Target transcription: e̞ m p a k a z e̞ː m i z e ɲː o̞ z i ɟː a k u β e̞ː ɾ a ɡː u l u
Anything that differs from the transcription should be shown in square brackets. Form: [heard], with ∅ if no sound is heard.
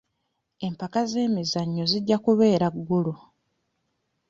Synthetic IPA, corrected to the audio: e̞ m p a k a z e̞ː m i z [a] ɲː o̞ z i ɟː a k u β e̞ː ɾ a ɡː u l u